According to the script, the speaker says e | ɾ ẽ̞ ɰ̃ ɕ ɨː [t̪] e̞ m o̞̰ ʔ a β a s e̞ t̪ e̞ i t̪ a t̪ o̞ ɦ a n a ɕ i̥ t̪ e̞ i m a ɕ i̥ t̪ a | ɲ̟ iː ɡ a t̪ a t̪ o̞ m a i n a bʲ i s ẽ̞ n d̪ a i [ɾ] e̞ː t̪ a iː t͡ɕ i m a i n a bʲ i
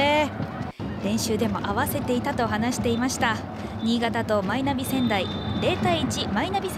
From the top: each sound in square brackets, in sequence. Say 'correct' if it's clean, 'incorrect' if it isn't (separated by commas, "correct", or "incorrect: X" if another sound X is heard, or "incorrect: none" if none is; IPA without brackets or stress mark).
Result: incorrect: d̪, correct